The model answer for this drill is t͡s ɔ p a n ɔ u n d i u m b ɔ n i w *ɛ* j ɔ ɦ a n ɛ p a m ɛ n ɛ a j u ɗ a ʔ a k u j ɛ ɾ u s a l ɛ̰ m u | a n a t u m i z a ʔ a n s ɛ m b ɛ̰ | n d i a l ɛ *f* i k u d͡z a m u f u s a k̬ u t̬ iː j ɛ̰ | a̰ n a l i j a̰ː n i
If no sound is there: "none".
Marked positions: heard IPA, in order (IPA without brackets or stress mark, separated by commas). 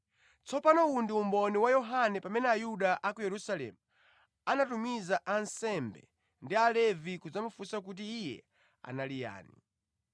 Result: a, v